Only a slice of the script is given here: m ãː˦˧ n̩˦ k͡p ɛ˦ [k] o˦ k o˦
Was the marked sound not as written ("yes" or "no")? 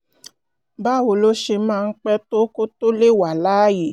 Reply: yes